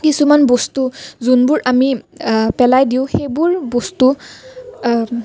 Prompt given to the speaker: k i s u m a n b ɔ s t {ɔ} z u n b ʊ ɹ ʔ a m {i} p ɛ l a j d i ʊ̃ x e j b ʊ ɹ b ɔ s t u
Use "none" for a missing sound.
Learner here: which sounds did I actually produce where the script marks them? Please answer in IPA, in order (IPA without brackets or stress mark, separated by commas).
u, i